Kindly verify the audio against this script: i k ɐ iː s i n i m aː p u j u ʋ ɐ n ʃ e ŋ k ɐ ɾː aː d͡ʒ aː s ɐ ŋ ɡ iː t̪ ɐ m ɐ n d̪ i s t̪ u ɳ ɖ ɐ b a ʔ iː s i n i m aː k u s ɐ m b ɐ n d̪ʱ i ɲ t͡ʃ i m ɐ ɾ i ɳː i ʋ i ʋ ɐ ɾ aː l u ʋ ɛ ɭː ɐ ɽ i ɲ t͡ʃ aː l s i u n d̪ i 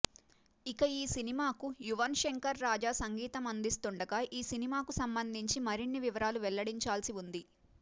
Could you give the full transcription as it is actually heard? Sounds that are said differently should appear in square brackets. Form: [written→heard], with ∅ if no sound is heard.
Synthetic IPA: i k ɐ iː s i n i m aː [p→k] u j u ʋ ɐ n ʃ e ŋ k ɐ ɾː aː d͡ʒ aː s ɐ ŋ ɡ iː t̪ ɐ m ɐ n d̪ i s t̪ u ɳ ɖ ɐ [b→ɡ] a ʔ iː s i n i m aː k u s ɐ m b ɐ n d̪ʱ i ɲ t͡ʃ i m ɐ ɾ i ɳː i ʋ i ʋ ɐ ɾ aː l u ʋ ɛ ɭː ɐ ɽ i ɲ t͡ʃ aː l s i u n d̪ i

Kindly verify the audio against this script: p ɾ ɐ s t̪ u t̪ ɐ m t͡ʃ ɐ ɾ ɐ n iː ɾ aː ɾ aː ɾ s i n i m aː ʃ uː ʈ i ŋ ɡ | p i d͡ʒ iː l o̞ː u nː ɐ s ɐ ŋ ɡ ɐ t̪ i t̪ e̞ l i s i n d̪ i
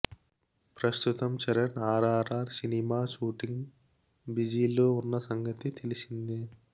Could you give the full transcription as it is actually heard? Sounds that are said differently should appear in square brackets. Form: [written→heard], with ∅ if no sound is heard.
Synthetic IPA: p ɾ ɐ s t̪ u t̪ ɐ m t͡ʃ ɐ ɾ ɐ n [iː→aː] ɾ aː ɾ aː ɾ s i n i m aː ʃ uː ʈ i ŋ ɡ | [p→b] i d͡ʒ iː l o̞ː u nː ɐ s ɐ ŋ ɡ ɐ t̪ i t̪ e̞ l i s i n d̪ i

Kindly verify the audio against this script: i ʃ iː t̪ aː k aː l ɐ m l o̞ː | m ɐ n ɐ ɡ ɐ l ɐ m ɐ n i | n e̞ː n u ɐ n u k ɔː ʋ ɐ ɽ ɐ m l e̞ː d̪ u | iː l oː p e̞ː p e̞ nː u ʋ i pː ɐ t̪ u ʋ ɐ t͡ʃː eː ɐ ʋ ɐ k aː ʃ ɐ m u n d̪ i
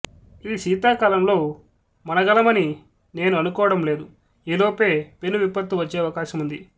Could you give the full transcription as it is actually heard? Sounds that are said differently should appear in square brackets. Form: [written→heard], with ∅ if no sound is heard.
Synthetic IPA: [i→iː] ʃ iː t̪ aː k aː l ɐ m l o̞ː | m ɐ n ɐ ɡ ɐ l ɐ m ɐ n i | n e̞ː n u ɐ n u k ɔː ʋ ɐ ɽ ɐ m l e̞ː d̪ u | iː l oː p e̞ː p e̞ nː u ʋ i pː ɐ t̪ u ʋ ɐ t͡ʃː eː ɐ ʋ ɐ k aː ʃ ɐ m u n d̪ i

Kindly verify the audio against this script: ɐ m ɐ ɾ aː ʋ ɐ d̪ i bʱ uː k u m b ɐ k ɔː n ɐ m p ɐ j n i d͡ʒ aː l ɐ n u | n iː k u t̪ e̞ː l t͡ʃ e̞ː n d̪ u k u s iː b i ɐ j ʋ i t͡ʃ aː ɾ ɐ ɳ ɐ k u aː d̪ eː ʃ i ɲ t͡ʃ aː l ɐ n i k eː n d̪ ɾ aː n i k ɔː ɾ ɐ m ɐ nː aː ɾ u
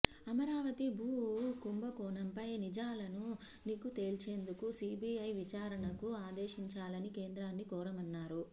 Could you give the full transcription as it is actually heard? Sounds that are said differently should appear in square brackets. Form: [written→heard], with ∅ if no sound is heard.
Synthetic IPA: ɐ m ɐ ɾ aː ʋ ɐ [d̪→t̪] i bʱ uː k u m b ɐ k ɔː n ɐ m p ɐ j n i d͡ʒ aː l ɐ n u | n iː k u t̪ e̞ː l t͡ʃ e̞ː n d̪ u k u s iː b i ɐ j ʋ i t͡ʃ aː ɾ ɐ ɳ ɐ k u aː d̪ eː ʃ i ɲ t͡ʃ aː l ɐ n i k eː n d̪ ɾ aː [n→nː] i k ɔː ɾ ɐ m ɐ nː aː ɾ u

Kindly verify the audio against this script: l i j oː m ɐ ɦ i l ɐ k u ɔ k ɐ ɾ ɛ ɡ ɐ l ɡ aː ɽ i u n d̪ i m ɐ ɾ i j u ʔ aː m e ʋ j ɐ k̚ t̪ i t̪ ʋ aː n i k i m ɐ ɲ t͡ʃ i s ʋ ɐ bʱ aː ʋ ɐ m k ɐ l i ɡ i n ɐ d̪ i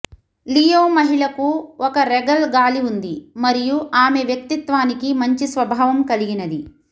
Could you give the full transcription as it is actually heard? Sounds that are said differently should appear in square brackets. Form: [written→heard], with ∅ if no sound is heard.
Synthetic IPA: l i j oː m ɐ ɦ i [l→ɭ] ɐ k u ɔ k ɐ ɾ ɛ ɡ ɐ l ɡ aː [ɽ→l] i u n d̪ i m ɐ ɾ i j u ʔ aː m e ʋ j ɐ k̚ t̪ i t̪ ʋ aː n i k i m ɐ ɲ t͡ʃ i s ʋ ɐ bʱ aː ʋ ɐ m k ɐ l i ɡ i n ɐ d̪ i

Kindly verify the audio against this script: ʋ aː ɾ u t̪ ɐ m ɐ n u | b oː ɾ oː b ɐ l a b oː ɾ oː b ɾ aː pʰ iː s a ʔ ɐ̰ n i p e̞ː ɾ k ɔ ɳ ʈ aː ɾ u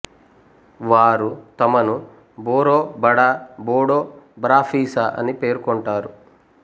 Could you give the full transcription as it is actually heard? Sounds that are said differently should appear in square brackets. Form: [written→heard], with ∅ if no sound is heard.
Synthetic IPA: ʋ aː ɾ u t̪ ɐ m ɐ n u | b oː ɾ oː b ɐ [l→ɽ] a b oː [ɾ→ɽ] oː b ɾ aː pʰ iː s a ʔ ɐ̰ n i p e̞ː ɾ k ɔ ɳ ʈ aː ɾ u

